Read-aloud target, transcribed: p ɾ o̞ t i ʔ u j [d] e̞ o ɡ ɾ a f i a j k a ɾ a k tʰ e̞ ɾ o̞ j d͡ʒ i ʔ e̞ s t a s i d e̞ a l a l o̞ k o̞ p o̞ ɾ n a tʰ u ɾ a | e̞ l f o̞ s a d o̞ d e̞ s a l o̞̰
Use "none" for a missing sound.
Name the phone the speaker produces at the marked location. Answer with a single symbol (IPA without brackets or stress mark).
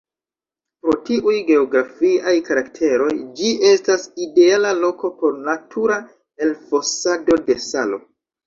ɡ